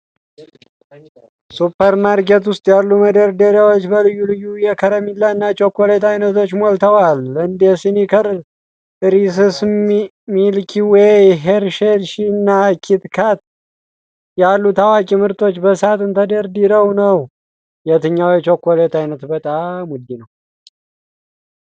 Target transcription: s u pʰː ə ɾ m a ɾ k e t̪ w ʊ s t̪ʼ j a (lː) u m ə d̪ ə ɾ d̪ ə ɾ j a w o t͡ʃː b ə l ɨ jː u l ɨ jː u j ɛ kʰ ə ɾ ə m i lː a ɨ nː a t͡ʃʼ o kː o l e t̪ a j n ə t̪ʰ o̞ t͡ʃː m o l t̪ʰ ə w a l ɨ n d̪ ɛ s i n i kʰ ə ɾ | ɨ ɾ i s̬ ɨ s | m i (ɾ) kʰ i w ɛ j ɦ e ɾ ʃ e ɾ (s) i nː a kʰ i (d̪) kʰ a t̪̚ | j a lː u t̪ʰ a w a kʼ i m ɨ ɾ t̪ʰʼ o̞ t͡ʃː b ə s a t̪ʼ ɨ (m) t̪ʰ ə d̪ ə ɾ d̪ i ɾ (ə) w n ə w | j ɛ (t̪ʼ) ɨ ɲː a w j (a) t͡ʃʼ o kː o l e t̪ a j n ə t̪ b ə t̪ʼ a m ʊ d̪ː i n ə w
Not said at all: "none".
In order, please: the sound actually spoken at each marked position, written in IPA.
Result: lː, l, ʃ, t̪, n, ə, t̪, ɛ

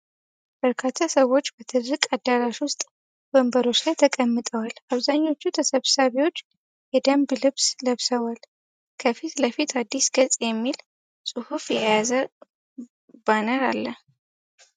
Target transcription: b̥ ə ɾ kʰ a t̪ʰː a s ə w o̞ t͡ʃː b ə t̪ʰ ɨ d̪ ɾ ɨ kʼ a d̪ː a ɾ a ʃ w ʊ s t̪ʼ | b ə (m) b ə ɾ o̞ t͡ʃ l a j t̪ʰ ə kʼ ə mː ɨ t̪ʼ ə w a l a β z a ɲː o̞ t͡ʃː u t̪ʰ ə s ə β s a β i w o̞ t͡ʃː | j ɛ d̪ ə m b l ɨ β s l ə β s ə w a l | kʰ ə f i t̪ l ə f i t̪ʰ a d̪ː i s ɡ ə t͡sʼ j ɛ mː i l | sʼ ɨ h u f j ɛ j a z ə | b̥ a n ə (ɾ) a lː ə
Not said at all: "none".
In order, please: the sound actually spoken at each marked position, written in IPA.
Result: m, ɾ

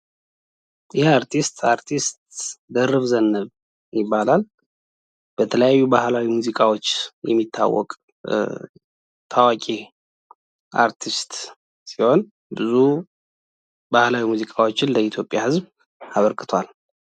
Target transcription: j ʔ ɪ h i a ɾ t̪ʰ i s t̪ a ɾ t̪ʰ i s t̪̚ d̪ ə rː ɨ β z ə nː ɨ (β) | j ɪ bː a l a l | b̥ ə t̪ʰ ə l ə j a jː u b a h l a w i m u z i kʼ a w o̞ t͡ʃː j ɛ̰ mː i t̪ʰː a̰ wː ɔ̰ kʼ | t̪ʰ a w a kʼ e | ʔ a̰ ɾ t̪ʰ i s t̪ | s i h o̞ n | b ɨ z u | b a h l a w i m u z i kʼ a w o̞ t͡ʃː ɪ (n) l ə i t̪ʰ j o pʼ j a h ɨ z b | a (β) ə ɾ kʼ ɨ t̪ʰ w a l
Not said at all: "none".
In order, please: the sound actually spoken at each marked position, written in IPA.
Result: β, n, β

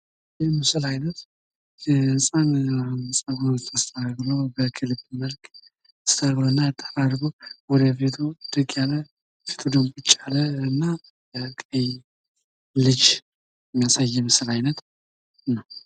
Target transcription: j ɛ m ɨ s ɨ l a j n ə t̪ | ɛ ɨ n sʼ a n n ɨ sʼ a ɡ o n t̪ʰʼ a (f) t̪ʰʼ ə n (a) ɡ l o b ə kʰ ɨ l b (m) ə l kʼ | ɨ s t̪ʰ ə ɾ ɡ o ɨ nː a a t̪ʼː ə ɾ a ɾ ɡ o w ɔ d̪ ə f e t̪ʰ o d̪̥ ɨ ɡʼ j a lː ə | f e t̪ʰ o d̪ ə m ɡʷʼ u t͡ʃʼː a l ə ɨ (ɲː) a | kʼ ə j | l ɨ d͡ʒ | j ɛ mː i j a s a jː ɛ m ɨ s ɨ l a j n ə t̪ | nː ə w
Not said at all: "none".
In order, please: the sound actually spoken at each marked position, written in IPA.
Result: s, a, m, nː

